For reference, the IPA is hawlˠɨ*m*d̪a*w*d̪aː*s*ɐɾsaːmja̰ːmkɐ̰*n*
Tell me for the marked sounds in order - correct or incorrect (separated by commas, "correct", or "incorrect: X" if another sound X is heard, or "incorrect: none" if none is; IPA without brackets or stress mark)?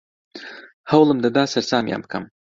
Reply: correct, incorrect: none, correct, incorrect: m